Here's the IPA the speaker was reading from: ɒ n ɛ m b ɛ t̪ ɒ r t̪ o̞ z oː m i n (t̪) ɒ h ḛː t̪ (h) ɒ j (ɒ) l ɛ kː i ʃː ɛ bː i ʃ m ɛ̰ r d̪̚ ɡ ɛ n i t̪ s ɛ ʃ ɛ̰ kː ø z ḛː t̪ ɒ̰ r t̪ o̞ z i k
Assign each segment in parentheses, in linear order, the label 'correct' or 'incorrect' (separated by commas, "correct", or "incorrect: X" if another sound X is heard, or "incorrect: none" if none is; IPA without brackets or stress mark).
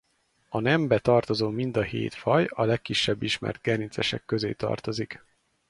incorrect: d̪, incorrect: f, correct